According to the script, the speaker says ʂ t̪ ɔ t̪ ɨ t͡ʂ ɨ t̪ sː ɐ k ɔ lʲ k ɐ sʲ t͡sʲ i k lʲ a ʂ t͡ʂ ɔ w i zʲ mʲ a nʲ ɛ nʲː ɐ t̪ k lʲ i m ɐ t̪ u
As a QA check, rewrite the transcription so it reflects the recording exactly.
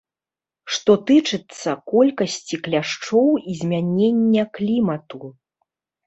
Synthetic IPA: ʂ t̪ ɔ t̪ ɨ t͡ʂ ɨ t̪ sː ɐ k ɔ lʲ k ɐ sʲ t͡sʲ i k lʲ a ʂ t͡ʂ ɔ w i zʲ mʲ a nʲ e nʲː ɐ k lʲ i m ɐ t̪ u